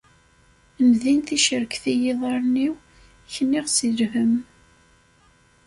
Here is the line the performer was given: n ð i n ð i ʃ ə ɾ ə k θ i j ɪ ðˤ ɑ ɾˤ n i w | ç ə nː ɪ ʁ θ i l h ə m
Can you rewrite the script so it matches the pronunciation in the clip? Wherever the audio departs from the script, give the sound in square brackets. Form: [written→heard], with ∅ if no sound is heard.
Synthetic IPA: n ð i n [ð→θ] i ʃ ə ɾ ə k θ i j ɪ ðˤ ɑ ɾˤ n i w | ç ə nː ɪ ʁ [θ→s] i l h ə m